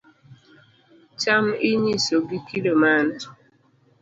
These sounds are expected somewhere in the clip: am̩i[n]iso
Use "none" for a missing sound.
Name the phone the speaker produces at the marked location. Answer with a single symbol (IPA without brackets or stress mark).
ɲ